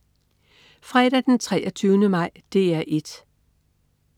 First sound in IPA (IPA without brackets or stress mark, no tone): f